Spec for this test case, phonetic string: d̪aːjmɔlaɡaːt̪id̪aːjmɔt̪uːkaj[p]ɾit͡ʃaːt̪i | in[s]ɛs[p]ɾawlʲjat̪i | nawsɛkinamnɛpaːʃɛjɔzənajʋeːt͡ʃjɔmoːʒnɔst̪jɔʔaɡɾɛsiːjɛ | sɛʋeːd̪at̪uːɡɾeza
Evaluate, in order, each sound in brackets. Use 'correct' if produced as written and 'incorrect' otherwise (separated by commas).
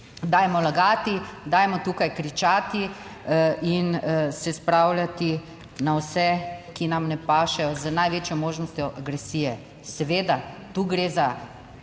incorrect, correct, correct